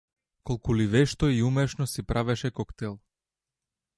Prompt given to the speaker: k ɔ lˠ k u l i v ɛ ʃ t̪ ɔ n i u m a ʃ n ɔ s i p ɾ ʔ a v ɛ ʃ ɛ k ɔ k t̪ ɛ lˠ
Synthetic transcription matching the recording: k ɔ lˠ k u l i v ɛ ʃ t̪ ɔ i u m ɛ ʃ n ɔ s i p ɾ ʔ a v ɛ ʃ ɛ k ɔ k t̪ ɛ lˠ